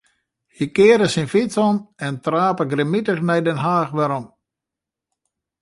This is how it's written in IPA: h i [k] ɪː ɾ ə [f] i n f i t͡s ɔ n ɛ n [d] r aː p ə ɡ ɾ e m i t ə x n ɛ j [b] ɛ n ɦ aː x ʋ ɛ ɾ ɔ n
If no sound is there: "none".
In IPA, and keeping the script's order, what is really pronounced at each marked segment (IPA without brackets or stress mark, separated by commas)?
k, s, t, d